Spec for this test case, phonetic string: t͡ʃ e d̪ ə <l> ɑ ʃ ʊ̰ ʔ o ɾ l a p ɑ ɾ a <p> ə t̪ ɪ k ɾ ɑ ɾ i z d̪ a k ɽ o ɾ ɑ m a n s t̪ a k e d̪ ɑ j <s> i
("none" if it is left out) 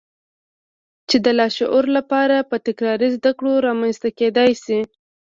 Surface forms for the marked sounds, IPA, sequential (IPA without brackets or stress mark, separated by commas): l, p, s